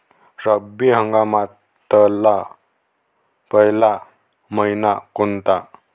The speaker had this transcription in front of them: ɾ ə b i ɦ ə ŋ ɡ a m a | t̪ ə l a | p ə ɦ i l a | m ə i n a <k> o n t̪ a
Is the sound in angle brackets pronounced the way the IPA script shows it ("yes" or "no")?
yes